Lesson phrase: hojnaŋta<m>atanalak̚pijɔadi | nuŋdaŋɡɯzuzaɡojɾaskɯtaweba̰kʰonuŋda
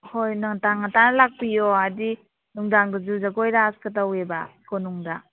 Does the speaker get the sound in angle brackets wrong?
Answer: yes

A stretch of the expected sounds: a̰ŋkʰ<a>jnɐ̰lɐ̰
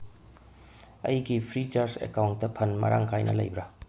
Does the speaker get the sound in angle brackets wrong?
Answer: no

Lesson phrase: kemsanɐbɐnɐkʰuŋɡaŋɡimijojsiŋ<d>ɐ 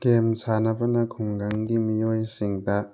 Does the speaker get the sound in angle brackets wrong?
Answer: no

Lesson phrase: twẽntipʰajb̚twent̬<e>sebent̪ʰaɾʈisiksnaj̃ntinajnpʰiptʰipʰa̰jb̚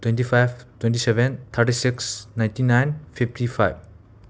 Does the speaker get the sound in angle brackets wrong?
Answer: yes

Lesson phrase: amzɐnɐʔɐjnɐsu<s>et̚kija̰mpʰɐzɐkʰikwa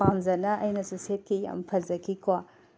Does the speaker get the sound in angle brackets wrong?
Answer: no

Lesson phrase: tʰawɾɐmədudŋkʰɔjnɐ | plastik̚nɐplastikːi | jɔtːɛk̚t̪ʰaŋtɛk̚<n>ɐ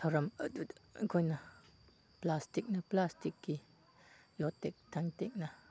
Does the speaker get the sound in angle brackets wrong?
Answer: no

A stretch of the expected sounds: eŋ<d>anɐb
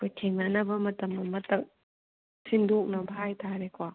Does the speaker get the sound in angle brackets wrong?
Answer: yes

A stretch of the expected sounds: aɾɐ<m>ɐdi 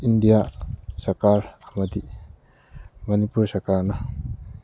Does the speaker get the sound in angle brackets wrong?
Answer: no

